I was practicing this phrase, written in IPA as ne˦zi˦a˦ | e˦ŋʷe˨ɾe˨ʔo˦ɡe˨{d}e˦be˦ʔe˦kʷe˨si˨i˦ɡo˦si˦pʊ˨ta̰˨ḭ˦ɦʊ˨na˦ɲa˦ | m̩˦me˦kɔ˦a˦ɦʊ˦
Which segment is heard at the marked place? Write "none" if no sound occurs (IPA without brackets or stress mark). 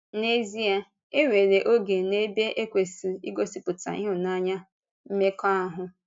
n